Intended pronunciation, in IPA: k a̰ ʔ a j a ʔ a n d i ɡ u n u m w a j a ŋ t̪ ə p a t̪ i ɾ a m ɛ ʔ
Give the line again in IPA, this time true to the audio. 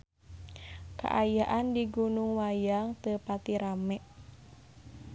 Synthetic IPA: k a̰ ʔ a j a ʔ a n d i ɡ u n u ŋ w a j a ŋ t̪ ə p a t̪ i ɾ a m ɛ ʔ